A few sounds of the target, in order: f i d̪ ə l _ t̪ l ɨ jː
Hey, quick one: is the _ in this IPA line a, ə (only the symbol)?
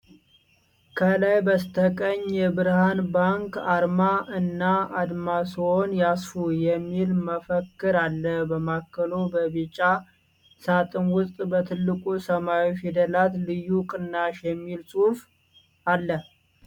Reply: a